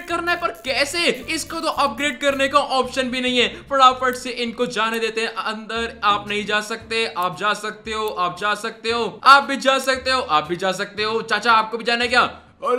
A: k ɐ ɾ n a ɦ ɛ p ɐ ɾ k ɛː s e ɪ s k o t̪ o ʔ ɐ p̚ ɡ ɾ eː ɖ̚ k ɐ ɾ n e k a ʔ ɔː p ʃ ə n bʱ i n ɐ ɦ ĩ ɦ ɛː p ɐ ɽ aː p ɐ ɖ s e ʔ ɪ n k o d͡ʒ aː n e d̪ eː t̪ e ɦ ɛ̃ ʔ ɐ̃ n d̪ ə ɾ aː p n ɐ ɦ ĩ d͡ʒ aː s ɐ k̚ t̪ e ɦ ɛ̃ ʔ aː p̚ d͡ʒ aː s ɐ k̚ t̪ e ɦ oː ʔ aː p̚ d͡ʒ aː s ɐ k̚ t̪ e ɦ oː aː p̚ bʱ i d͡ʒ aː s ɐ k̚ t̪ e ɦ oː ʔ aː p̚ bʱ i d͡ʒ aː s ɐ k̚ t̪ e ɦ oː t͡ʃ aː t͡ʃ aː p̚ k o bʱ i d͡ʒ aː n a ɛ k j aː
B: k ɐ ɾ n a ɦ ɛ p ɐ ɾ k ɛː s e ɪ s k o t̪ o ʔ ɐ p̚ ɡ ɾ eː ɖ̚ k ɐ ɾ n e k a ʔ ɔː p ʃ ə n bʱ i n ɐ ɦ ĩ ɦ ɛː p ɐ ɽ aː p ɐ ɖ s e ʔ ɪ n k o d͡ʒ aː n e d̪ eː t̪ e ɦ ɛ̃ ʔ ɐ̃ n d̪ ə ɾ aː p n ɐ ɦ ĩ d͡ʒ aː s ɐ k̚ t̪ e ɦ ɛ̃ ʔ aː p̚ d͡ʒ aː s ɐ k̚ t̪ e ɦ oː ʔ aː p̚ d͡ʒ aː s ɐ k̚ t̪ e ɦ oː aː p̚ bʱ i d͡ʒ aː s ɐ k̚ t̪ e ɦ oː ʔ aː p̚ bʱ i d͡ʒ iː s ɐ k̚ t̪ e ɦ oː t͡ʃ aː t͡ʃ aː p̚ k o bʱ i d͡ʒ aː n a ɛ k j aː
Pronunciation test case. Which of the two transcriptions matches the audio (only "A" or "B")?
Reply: A